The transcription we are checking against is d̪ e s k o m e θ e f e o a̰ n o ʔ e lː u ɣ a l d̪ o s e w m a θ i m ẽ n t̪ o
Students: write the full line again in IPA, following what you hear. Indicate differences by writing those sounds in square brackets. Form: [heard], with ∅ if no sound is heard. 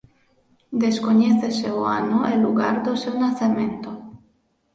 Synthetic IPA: d̪ e s k o [ɲ] e θ e [s] e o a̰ n o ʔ e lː u ɣ a [ɾ] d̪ o s e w [n] a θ [e] m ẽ n t̪ o